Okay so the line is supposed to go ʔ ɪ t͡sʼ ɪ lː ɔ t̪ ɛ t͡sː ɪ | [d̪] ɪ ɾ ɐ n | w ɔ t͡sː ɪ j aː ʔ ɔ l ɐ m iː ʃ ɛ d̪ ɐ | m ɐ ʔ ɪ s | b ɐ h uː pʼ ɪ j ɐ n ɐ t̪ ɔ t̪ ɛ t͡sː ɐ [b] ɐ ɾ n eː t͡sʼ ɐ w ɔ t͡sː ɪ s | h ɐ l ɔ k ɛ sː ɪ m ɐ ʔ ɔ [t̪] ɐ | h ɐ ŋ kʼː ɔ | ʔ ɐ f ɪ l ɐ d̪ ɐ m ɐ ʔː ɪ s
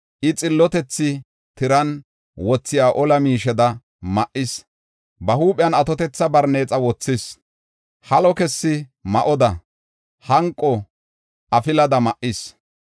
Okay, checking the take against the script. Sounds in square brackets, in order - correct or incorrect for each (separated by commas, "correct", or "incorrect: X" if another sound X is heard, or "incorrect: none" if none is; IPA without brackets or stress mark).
incorrect: t̪, correct, incorrect: d̪